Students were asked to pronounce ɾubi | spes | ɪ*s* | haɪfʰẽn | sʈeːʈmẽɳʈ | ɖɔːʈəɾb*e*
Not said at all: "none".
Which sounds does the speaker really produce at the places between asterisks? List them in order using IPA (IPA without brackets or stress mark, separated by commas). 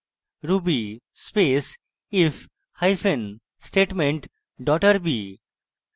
f, i